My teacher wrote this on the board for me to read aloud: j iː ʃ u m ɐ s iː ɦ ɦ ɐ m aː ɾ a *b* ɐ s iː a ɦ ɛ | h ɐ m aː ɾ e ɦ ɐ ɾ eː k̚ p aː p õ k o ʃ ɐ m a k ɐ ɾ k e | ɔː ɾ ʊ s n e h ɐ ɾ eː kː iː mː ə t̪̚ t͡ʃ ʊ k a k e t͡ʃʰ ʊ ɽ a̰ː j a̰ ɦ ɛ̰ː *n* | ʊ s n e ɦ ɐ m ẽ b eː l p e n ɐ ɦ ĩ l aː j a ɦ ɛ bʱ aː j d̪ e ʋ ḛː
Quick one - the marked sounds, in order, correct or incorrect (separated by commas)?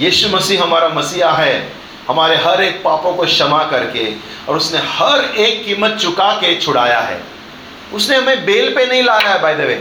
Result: incorrect, incorrect